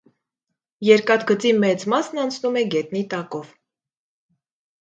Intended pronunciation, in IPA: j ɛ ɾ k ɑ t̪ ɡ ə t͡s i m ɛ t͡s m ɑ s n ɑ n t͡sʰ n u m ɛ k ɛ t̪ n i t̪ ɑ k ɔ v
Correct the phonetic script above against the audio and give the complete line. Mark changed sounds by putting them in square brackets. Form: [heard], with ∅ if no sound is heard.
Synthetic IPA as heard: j ɛ ɾ k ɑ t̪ ɡ ə t͡s i m ɛ t͡s m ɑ s n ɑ n t͡sʰ n u m ɛ [ɡ] ɛ t̪ n i t̪ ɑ k ɔ v